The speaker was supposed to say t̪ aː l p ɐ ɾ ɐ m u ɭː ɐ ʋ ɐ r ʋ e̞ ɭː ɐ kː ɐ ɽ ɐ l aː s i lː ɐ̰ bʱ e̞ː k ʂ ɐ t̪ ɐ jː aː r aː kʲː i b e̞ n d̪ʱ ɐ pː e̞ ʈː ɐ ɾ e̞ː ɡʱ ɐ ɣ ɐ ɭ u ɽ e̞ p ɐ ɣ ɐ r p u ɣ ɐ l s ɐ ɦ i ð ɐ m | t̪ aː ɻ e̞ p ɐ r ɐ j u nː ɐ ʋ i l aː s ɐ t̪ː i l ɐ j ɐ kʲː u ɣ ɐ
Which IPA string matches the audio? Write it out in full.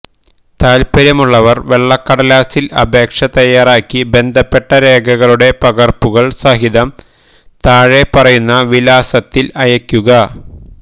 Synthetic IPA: t̪ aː l p ɐ ɾ ɐ m u ɭː ɐ ʋ ɐ r ʋ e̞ ɭː ɐ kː ɐ ɽ ɐ l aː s i l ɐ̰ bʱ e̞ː k ʂ ɐ t̪ ɐ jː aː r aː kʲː i b e̞ n d̪ʱ ɐ pː e̞ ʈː ɐ ɾ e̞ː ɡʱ ɐ ɣ ɐ ɭ u ɽ e̞ p ɐ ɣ ɐ r p u ɣ ɐ ɭ s ɐ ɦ i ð ɐ m | t̪ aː ɻ e̞ p ɐ r ɐ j u nː ɐ ʋ i l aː s ɐ t̪ː i l ɐ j ɐ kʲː u ɣ ɐ